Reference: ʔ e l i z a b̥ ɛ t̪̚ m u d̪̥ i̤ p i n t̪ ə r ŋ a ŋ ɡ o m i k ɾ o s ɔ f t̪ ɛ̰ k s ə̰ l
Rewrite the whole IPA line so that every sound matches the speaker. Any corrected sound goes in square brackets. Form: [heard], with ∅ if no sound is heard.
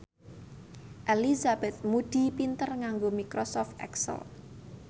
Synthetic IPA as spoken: ʔ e l i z a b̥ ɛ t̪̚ m u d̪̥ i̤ p i n t̪ ə r ŋ a ŋ ɡ o m i k ɾ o s ɔ f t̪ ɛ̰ k s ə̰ l